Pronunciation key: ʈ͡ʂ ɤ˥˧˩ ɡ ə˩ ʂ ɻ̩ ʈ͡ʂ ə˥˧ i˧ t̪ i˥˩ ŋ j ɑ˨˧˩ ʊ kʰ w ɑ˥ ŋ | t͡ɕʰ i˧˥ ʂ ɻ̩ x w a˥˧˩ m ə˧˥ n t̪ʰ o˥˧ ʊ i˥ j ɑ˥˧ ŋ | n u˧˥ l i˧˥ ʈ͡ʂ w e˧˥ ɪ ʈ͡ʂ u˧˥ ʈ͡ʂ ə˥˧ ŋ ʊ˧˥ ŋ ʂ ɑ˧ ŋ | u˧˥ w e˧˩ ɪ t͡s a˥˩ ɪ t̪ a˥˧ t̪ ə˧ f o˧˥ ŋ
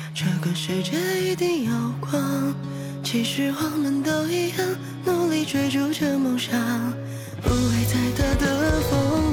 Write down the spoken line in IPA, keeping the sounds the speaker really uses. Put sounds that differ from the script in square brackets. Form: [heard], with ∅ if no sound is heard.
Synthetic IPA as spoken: ʈ͡ʂ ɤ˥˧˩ ɡ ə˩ ʂ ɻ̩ ʈ͡ʂ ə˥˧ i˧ t̪ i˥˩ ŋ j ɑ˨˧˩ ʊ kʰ w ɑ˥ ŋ | t͡ɕʰ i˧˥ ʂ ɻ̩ x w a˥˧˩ m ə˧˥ n [t̪] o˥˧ ʊ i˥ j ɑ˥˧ ŋ | n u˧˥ l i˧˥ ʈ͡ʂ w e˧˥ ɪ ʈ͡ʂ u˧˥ ʈ͡ʂ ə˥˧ [m] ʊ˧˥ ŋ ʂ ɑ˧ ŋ | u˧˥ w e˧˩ ɪ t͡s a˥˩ ɪ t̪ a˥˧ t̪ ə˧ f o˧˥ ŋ